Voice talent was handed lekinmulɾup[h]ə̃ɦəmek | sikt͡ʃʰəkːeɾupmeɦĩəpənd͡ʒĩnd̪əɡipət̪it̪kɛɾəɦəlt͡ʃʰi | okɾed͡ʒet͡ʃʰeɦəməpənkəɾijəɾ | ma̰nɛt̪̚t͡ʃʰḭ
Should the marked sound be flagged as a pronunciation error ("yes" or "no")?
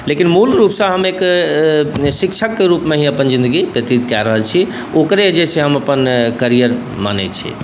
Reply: yes